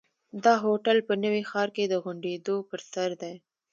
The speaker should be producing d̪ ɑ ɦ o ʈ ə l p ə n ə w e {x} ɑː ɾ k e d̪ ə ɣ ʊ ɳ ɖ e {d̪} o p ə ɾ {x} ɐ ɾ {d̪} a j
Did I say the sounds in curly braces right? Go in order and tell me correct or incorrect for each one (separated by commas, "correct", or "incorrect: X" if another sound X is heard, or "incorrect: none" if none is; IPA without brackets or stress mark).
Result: correct, correct, incorrect: s, correct